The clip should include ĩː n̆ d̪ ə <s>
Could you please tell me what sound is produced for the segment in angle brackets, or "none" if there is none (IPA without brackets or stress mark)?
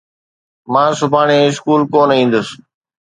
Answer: s